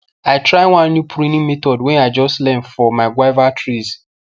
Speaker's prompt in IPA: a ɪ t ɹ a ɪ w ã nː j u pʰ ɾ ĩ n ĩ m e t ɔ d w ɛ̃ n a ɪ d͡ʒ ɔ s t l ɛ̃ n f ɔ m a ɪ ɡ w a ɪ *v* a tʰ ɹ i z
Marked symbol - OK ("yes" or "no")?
yes